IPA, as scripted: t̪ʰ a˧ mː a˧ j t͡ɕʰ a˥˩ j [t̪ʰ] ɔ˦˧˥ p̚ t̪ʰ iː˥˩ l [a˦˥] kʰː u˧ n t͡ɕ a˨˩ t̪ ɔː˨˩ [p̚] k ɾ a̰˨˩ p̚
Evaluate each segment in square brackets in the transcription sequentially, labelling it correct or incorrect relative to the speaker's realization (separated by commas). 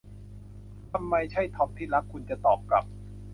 correct, correct, correct